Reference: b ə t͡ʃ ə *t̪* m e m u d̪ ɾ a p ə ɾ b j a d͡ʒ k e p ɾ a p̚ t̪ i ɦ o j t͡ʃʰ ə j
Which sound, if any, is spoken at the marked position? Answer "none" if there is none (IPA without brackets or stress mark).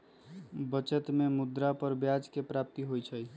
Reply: t̪